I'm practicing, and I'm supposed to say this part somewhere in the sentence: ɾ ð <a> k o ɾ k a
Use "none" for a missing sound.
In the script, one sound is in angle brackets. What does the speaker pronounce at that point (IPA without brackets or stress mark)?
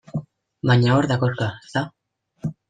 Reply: a